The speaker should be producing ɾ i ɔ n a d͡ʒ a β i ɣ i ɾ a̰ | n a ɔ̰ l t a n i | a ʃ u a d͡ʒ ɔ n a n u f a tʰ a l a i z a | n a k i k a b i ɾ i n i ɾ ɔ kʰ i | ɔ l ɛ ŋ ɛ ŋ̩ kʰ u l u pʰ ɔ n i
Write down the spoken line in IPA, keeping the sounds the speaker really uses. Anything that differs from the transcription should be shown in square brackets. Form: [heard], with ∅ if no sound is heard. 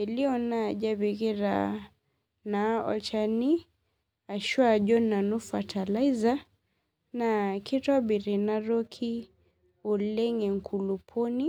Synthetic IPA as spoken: [l] i ɔ n a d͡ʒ a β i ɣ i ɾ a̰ | n a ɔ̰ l [t͡ʃ] a n i | a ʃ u a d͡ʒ ɔ n a n u f a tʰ a l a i z a | n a k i [t] a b i ɾ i n [a] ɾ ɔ kʰ i | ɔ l ɛ ŋ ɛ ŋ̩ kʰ u l u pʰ ɔ n i